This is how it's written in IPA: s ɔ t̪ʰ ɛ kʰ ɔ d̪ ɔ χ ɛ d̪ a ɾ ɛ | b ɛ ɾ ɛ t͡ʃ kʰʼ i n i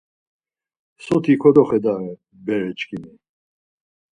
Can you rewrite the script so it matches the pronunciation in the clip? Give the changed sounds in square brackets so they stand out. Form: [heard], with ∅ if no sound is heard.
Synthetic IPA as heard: s ɔ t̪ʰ [i] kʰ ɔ d̪ ɔ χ ɛ d̪ a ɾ ɛ | b ɛ ɾ ɛ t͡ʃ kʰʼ i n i